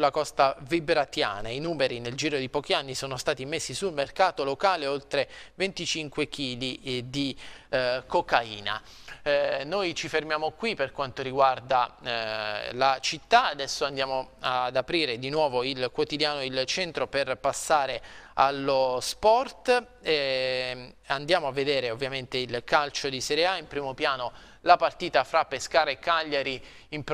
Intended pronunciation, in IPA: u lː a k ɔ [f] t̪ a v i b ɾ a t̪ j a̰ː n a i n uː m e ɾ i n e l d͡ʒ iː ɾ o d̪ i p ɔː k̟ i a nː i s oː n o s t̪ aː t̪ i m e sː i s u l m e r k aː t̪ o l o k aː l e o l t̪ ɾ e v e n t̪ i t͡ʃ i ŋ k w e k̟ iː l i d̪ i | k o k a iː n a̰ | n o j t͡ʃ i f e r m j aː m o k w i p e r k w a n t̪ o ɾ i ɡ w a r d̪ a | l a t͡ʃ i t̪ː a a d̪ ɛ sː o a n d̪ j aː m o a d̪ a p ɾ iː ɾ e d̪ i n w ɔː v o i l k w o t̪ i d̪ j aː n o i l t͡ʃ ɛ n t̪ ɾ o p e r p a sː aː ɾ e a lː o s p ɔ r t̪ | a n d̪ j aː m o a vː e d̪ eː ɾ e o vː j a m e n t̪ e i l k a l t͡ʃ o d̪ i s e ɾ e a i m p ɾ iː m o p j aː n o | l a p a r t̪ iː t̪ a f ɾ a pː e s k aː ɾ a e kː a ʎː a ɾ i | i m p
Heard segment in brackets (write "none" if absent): s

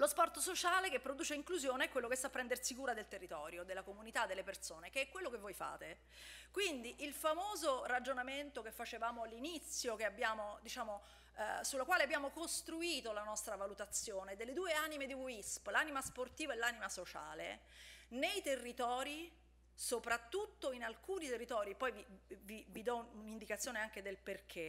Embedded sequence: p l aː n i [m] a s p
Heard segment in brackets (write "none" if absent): m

